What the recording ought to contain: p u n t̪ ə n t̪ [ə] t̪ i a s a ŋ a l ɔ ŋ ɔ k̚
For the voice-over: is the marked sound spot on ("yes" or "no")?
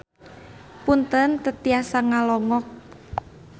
yes